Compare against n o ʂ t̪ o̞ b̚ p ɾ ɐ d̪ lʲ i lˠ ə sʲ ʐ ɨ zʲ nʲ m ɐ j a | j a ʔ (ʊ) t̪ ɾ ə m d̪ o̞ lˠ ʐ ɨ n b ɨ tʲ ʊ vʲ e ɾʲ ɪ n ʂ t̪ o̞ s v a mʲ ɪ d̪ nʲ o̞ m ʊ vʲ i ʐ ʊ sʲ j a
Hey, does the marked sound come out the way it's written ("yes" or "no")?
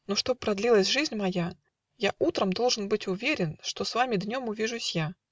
no